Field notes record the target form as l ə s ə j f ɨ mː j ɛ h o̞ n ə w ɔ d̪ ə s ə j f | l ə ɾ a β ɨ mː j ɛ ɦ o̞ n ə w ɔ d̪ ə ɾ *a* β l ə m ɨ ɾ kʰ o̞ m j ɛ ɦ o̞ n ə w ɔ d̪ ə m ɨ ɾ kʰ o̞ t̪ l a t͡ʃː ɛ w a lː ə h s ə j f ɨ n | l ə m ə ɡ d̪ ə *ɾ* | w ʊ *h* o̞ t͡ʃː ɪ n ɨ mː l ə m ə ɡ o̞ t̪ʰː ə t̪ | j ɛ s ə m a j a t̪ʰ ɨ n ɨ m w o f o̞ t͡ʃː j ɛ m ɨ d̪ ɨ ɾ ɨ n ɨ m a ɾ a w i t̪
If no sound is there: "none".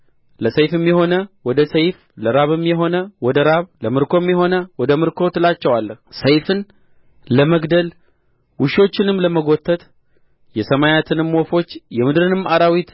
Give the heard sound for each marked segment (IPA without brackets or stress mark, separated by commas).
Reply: a, l, ʃ